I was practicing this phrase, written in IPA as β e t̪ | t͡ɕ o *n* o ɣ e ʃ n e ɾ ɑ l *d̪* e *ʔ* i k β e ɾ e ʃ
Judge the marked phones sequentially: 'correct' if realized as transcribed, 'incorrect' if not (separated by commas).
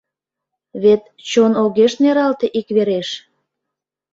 correct, incorrect, correct